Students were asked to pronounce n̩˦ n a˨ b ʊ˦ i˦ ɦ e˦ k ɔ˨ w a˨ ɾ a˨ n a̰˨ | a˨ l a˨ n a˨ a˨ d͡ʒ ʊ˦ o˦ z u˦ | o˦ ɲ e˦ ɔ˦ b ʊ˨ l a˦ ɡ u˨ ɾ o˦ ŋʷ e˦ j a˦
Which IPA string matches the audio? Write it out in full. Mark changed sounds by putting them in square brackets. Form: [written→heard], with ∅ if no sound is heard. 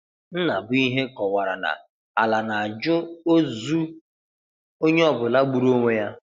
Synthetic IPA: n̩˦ n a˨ b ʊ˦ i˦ ɦ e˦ k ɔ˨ w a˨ ɾ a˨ n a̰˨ | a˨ l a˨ n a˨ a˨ d͡ʒ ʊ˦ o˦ z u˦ | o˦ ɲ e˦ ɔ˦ b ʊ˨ l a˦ [ɡ→ɡ͡b] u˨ ɾ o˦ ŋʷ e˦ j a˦